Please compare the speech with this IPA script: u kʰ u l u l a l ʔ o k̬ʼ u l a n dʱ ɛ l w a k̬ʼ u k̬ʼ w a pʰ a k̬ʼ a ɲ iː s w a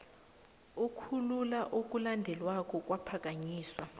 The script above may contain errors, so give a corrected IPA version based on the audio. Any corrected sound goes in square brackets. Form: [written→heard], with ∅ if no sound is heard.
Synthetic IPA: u kʰ u l u l a [l→∅] ʔ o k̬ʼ u l a n dʱ ɛ l w a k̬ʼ [u→ɔ] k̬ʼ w a pʰ a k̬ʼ a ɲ iː s w a